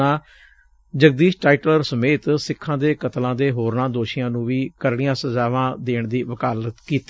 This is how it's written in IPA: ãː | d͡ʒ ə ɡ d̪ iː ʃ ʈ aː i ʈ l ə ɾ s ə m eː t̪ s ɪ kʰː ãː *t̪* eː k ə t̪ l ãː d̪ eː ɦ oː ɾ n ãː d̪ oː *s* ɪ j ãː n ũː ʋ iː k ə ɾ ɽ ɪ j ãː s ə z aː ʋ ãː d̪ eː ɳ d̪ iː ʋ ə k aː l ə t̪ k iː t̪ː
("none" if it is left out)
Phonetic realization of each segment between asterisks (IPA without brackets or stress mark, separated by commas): d̪, ʃ